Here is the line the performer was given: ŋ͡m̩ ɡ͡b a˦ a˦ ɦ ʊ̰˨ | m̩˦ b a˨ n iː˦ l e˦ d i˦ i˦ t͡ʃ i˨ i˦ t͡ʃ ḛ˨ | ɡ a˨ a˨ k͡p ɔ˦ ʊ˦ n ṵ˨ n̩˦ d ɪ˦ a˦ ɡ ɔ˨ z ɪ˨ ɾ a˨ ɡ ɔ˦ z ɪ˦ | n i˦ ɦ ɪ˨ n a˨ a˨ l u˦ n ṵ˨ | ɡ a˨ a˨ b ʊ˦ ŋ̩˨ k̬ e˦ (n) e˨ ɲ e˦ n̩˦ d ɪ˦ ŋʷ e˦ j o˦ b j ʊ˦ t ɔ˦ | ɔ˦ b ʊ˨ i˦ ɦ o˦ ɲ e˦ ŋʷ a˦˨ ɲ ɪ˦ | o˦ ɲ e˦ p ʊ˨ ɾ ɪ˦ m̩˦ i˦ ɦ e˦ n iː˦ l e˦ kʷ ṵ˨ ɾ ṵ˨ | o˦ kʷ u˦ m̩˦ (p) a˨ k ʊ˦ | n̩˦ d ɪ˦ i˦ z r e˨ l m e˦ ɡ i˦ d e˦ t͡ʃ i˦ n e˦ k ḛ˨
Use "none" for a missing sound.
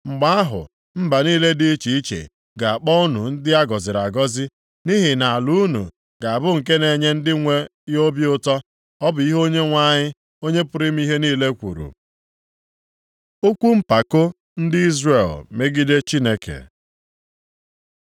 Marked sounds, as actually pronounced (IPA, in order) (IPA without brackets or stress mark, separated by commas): n, p